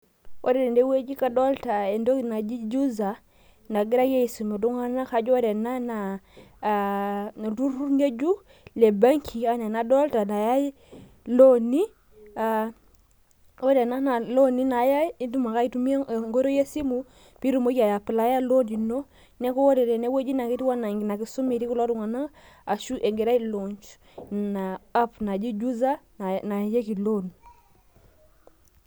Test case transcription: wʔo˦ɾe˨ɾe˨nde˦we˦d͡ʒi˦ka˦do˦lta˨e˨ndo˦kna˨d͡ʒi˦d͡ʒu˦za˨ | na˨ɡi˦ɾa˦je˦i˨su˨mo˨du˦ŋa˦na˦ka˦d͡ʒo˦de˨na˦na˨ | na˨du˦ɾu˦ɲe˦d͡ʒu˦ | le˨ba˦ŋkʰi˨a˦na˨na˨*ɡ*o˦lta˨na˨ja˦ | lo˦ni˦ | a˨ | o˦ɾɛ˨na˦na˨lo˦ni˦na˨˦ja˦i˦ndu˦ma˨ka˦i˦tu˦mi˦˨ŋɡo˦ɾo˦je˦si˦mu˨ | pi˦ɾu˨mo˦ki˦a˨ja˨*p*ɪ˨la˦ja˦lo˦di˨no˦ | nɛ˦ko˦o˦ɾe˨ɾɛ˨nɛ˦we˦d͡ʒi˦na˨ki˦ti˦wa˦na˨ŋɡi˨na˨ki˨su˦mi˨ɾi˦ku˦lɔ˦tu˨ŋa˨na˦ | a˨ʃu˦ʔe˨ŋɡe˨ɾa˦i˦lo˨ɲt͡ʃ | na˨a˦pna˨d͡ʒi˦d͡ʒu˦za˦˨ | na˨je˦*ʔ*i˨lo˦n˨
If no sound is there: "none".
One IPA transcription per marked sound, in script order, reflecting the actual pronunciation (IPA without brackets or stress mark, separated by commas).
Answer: d, p, k